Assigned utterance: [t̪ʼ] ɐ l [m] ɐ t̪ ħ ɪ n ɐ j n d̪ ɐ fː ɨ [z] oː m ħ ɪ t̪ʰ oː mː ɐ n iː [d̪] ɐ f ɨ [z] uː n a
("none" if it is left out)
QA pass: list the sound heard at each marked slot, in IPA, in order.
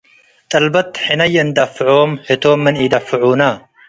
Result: t̪ʼ, b, ʕ, d̪, ʕ

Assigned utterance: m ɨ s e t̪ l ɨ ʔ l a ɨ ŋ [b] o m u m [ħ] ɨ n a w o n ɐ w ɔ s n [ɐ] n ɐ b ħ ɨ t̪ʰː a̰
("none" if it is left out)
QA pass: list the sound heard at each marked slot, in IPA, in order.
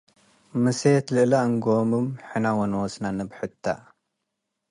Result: ɡ, ħ, a

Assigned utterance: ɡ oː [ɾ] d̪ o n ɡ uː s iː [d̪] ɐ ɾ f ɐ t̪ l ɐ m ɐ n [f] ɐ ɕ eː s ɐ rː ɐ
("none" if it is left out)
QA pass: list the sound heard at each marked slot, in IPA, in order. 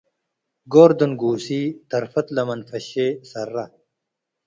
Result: ɾ, t̪, f

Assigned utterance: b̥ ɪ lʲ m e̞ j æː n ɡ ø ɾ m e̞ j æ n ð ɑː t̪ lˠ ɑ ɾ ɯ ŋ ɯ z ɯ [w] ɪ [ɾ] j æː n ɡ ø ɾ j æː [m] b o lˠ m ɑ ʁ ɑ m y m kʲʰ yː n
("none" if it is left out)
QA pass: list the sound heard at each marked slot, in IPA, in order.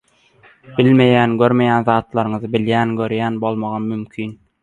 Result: b, l, n

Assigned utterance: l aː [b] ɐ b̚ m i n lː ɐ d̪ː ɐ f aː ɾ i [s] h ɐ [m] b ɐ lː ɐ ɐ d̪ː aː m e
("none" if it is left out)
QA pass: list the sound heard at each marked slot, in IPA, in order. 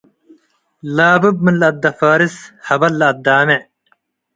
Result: b, s, none

